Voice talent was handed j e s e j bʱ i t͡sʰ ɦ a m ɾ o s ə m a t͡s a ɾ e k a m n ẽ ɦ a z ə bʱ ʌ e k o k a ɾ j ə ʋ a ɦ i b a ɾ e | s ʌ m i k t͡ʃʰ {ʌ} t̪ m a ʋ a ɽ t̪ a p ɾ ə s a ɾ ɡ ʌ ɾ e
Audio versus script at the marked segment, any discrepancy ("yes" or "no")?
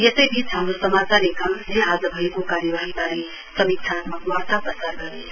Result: yes